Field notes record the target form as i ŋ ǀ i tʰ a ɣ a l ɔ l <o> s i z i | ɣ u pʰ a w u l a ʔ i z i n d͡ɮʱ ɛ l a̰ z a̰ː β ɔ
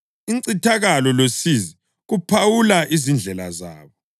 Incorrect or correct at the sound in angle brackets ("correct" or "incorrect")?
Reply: correct